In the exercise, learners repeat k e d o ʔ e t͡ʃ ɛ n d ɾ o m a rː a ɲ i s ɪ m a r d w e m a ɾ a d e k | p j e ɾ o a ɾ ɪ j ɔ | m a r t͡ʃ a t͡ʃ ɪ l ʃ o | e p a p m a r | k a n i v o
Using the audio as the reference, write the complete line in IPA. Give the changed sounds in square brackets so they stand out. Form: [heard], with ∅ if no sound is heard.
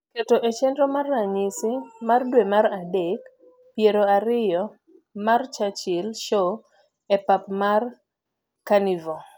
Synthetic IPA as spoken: k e [t] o ʔ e t͡ʃ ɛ n d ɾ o m a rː a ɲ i s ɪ m a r d w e m a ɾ a d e k | p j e ɾ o a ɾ ɪ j ɔ | m a r t͡ʃ a t͡ʃ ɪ l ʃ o | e p a p m a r | k a n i v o